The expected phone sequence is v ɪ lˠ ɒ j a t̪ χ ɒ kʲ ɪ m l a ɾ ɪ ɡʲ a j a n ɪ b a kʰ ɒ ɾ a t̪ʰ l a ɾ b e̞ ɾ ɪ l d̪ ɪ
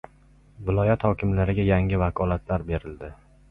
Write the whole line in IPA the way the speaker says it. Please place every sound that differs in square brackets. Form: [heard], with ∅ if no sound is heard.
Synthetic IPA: v ɪ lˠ ɒ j a t̪ [h] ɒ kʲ ɪ m l a ɾ ɪ ɡʲ a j a [ŋ] ɪ [v] a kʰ ɒ [l] a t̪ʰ l a ɾ b e̞ ɾ ɪ l d̪ ɪ